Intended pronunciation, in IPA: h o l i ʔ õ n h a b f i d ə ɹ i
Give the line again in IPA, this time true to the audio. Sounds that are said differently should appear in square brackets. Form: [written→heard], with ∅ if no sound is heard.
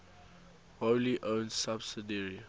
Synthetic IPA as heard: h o l i ʔ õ n [h→s] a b [f→s] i d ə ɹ i

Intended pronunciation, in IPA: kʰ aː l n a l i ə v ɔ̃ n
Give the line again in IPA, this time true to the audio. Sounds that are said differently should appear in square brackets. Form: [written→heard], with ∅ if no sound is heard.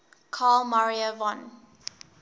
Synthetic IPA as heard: kʰ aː l [n→m] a [l→ɹ] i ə v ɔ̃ n

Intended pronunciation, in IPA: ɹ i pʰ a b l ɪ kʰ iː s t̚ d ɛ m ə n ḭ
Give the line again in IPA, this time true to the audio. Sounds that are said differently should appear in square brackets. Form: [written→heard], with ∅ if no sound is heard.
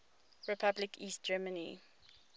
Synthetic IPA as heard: ɹ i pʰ a b l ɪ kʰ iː s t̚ [d→d͡ʒ] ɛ m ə n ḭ

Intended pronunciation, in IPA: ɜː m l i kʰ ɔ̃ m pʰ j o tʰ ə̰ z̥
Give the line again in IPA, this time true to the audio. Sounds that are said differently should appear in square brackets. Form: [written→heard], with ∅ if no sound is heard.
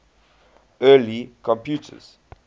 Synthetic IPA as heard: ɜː [m→∅] l i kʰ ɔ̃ m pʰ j [o→u] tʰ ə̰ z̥

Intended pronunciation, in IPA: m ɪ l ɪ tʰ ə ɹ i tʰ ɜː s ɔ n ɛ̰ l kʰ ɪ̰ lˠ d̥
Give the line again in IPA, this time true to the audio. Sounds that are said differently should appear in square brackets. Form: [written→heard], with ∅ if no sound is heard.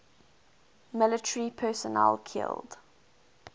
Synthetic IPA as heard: m ɪ l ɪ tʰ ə ɹ i [tʰ→pʰ] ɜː s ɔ n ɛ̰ l kʰ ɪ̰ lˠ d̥

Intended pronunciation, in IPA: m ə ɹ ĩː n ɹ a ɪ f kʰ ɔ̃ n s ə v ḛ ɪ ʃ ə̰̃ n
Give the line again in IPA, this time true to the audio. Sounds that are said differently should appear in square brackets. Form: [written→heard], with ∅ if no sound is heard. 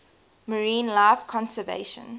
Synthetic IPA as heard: m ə ɹ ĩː n [ɹ→l] a ɪ f kʰ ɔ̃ n s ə v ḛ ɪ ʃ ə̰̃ n

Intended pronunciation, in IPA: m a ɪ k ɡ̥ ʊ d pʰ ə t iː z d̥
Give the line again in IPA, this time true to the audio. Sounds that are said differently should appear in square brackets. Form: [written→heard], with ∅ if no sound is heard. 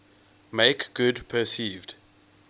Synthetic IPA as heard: m [a→e] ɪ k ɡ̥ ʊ d pʰ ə [t→s] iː [z→v] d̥

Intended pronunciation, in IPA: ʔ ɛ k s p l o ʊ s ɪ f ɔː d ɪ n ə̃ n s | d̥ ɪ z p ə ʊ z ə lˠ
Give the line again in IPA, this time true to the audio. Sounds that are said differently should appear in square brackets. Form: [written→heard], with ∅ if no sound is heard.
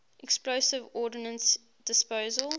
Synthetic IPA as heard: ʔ ɛ k s p l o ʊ s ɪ [f→v] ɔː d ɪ n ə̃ n s | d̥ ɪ [z→s] p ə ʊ z ə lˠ

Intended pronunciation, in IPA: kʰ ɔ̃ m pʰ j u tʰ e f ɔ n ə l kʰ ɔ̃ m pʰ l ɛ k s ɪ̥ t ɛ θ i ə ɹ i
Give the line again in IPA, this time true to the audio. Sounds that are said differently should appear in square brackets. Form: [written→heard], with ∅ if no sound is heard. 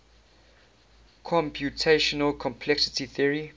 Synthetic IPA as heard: kʰ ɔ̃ m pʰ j u tʰ e [f→ʃ] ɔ n ə l kʰ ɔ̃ m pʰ l ɛ k s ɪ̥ t [ɛ→i] θ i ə ɹ i

